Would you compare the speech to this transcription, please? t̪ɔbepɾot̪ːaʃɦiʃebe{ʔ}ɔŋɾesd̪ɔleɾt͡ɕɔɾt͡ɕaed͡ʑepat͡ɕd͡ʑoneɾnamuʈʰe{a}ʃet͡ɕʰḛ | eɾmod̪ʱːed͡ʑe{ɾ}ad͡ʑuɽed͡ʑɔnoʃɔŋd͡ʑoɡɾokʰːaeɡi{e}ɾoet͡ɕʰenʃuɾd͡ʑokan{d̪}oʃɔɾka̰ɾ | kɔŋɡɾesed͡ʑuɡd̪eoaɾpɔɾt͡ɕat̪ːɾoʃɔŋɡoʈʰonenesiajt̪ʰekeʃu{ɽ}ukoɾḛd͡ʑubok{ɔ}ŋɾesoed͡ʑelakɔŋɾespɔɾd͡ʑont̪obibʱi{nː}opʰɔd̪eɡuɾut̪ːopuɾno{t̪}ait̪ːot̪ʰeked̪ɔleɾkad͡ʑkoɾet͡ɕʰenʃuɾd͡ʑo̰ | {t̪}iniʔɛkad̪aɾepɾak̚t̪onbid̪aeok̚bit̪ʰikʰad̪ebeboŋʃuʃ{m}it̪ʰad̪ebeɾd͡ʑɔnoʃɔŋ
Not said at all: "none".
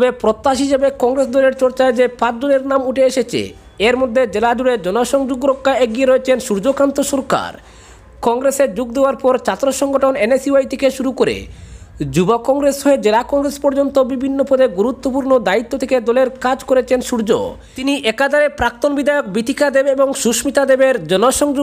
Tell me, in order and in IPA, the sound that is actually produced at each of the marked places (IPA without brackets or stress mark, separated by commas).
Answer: k, e, l, e, t̪, ɾ, ɔ, nː, d̪, t̪, m